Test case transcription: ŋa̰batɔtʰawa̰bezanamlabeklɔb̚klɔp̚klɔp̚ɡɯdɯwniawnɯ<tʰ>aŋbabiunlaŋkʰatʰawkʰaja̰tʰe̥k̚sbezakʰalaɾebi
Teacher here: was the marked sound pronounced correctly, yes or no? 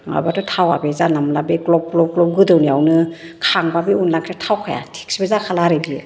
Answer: no